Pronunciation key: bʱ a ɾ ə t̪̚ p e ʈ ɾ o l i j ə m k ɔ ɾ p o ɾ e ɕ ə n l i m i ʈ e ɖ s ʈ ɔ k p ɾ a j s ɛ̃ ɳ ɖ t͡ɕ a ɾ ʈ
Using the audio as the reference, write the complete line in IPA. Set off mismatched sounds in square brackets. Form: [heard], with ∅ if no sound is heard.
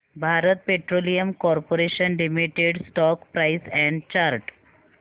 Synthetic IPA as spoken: bʱ a ɾ ə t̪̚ p e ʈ ɾ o l i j ə m k ɔ ɾ p o ɾ e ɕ ə n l i m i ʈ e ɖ s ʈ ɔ k p ɾ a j s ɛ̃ ɳ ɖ t͡ɕ a ɾ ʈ